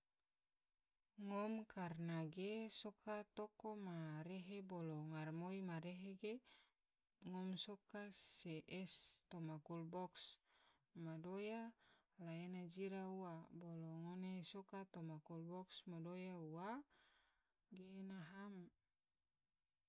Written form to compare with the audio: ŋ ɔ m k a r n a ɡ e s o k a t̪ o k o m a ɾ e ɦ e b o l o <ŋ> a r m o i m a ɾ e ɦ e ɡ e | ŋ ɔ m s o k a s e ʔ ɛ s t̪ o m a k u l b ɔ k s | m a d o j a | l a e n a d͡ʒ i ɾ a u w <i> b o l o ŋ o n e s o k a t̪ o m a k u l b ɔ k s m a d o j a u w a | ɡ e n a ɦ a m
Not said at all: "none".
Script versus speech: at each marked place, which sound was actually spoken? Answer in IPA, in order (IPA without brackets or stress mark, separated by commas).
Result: ŋ, a